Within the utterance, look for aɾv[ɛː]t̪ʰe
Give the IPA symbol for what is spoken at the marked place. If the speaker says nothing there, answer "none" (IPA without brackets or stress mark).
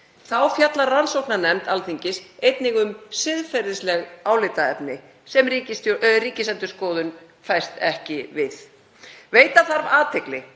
aː